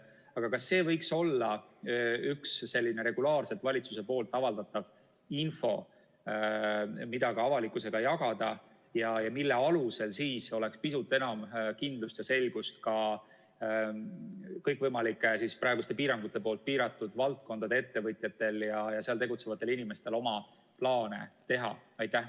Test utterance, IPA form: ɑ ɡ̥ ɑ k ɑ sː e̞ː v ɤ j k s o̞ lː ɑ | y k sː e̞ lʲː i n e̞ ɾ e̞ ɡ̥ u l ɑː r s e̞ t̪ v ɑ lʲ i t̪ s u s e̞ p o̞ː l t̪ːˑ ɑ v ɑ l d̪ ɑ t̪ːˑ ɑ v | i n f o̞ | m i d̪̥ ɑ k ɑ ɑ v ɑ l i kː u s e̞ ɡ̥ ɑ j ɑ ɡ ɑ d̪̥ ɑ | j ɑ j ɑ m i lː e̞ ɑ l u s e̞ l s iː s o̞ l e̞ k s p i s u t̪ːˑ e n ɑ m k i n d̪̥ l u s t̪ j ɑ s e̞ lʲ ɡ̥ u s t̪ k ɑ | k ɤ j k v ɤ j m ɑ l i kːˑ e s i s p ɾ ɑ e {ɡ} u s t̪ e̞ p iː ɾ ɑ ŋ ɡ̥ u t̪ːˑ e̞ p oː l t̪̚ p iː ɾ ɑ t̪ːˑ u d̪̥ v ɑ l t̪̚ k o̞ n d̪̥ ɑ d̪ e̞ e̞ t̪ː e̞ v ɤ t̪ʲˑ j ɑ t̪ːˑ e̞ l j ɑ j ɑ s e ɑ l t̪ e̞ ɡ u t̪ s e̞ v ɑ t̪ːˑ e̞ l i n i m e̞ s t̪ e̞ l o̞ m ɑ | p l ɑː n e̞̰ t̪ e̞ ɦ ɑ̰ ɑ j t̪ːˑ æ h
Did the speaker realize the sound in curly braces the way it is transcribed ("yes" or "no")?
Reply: yes